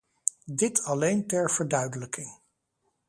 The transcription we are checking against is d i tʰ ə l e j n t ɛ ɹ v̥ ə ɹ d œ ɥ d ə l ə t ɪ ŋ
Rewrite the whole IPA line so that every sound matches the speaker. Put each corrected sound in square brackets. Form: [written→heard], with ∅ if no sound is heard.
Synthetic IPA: d [i→ɪ] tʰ [ə→ɑ] l e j n t ɛ ɹ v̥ ə ɹ d œ ɥ d ə l ə [t→k] ɪ ŋ